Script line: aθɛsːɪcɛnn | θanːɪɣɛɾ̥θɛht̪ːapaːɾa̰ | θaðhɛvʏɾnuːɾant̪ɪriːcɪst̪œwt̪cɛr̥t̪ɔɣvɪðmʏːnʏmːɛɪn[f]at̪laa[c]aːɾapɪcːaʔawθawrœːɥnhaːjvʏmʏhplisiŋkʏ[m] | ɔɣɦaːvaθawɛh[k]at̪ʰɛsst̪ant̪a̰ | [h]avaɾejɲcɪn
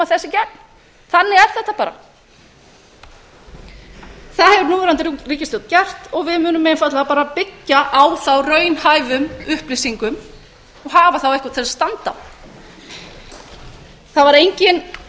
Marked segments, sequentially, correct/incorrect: correct, incorrect, correct, correct, incorrect

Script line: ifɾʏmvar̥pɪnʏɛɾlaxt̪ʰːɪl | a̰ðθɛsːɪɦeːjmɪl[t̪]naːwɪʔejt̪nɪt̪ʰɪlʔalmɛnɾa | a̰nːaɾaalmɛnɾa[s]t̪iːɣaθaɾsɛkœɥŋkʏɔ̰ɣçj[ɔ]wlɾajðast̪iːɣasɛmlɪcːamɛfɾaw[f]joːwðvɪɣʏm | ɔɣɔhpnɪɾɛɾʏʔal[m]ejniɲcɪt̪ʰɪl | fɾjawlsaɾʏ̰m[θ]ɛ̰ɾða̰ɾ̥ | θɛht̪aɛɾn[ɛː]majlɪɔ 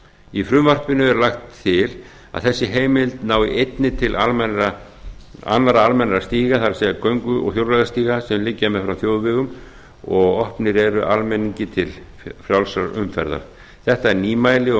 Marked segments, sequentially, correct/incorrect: correct, correct, incorrect, incorrect, correct, incorrect, incorrect

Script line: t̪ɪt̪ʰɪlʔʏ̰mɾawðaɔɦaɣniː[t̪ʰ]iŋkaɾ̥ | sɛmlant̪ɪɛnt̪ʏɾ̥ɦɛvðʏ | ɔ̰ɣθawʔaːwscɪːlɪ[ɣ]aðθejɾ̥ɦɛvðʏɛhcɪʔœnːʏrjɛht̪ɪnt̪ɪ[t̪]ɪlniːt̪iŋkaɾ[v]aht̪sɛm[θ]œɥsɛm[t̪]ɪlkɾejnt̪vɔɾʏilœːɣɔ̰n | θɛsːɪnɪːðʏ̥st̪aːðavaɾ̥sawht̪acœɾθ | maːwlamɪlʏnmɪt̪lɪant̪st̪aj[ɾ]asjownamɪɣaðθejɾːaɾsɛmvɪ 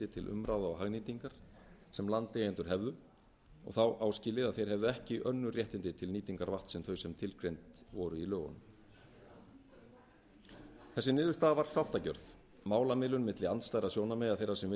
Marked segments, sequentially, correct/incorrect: incorrect, incorrect, incorrect, correct, correct, incorrect, correct

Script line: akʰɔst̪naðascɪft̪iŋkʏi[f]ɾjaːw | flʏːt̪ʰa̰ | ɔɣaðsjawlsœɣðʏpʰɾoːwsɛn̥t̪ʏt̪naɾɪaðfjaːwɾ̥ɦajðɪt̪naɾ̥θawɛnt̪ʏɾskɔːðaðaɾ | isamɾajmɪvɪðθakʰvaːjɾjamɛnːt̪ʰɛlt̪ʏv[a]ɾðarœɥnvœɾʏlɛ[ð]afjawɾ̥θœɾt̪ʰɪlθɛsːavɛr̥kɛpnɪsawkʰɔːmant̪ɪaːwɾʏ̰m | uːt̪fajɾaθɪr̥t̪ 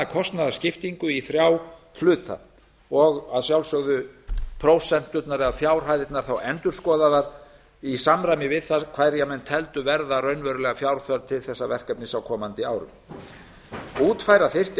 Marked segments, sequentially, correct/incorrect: incorrect, incorrect, incorrect

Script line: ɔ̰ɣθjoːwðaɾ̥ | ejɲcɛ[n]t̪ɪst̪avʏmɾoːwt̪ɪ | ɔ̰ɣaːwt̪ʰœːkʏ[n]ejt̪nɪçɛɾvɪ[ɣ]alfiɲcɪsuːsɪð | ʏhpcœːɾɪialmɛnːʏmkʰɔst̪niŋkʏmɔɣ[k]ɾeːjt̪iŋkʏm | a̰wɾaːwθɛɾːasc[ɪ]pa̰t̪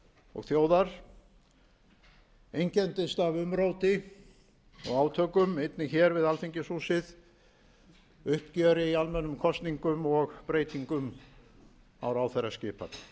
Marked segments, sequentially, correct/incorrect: correct, incorrect, incorrect, incorrect, incorrect

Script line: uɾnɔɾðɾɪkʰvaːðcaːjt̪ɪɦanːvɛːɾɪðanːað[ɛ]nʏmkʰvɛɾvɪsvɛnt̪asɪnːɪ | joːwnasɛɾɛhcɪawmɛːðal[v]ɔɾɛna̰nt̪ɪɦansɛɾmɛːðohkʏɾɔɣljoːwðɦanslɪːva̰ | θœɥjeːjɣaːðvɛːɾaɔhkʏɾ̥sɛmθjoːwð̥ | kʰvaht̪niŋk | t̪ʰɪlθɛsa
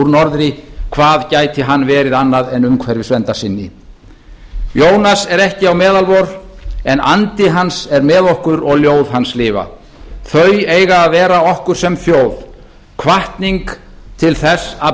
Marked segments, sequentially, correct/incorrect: correct, correct

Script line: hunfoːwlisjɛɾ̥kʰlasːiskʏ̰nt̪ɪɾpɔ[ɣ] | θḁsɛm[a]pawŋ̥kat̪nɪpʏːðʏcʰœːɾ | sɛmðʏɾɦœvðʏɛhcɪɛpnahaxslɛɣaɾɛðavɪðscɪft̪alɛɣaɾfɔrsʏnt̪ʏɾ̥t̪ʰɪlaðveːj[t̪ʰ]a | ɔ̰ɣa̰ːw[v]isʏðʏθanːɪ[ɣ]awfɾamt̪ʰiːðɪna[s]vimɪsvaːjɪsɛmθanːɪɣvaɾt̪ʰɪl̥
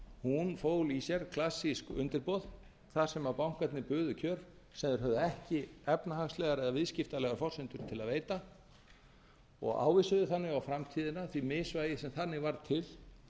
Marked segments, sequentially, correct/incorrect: incorrect, correct, incorrect, correct, correct, incorrect

